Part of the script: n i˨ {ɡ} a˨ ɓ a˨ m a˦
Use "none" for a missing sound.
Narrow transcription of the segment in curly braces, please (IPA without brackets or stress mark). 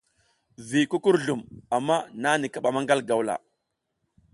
k